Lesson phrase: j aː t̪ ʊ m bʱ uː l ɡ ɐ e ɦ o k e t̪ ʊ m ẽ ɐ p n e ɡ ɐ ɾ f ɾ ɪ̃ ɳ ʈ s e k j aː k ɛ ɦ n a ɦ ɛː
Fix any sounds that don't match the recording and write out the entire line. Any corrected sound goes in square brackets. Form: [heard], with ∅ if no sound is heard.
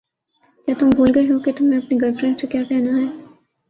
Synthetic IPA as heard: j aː t̪ ʊ m bʱ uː l ɡ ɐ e ɦ o k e t̪ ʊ m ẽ ɐ p n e ɡ ɐ ɾ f ɾ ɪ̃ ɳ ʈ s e k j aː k ɛ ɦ n a ɦ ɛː